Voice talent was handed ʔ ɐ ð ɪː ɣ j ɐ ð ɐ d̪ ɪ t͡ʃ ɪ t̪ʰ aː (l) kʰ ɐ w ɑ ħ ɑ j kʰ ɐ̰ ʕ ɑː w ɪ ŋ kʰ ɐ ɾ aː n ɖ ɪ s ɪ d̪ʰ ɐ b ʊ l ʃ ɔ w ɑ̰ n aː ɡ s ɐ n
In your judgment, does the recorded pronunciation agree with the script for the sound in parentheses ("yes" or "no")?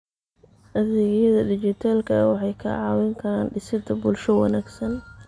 yes